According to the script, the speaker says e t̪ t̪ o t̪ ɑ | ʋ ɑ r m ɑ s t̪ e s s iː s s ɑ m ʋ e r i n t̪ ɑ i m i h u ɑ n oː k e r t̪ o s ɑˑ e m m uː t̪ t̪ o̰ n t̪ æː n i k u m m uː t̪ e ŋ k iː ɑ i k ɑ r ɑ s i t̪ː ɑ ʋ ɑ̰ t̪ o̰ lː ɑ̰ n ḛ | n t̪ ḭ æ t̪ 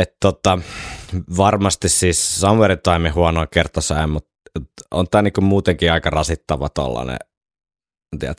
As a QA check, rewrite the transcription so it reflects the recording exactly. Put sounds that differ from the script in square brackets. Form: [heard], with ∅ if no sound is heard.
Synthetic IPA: e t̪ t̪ o t̪ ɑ | ʋ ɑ r m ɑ s t̪ [i] s s iː s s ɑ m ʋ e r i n t̪ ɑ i m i h u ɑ n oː k e r t̪ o s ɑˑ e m m [u] t̪ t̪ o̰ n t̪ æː n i k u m m uː t̪ e ŋ k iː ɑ i k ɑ r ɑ s i t̪ː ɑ ʋ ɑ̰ t̪ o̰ lː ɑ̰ n ḛ | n t̪ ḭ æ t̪